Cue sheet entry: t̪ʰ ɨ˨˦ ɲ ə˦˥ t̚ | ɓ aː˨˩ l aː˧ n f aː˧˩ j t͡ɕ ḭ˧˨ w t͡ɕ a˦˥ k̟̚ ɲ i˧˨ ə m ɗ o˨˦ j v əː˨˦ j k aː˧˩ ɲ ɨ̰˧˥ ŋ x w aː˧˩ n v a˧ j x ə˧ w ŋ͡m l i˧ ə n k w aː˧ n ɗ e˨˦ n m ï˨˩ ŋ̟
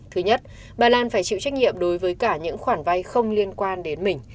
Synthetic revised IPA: t̪ʰ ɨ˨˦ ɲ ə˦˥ t̚ | ɓ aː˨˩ l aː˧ n f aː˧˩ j t͡ɕ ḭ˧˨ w t͡ɕ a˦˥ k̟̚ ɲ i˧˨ ə m ɗ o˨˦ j v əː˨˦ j k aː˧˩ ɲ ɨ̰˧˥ ŋ x w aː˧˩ n v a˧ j x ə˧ w ŋ͡m l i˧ ə n k w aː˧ n ɗ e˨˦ n m ï˨˩ ŋ̟